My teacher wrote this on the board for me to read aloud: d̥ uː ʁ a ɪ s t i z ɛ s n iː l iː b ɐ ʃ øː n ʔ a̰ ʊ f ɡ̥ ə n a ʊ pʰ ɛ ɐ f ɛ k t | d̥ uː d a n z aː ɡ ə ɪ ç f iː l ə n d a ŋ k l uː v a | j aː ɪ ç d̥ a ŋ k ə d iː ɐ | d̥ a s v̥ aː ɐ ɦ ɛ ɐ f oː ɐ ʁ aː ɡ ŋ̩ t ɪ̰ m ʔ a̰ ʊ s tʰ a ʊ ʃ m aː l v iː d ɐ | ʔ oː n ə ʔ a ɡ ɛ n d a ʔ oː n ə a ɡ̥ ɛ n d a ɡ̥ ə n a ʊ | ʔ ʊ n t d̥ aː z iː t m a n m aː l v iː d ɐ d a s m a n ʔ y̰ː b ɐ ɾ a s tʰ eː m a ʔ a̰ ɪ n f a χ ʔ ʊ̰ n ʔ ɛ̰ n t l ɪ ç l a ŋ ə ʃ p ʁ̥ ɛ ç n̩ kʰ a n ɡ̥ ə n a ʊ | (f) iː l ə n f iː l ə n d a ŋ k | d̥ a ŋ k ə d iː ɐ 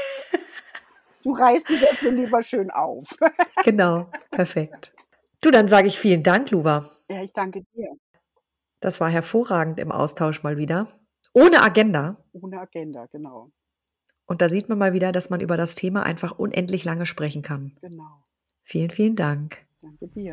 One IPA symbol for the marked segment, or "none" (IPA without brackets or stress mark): f